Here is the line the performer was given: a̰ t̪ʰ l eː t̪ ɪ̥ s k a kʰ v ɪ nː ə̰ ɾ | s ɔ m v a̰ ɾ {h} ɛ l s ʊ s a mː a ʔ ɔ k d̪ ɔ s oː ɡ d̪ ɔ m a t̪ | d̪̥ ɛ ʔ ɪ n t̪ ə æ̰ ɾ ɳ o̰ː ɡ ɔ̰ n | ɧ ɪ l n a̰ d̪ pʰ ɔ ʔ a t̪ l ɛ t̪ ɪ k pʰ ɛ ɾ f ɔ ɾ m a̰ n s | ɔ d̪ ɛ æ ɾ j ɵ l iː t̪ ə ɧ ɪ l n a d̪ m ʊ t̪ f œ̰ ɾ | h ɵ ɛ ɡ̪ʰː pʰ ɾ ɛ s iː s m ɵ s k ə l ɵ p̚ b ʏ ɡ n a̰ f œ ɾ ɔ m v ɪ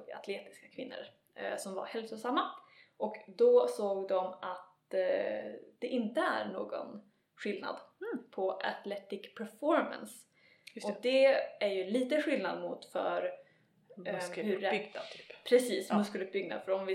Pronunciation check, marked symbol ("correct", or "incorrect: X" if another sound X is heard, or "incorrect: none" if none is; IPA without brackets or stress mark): correct